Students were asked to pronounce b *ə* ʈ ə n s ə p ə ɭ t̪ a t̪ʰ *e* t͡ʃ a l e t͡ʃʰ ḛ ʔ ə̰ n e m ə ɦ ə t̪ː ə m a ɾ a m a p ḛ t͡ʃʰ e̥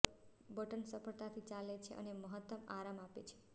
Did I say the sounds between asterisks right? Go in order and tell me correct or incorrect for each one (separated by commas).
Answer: correct, incorrect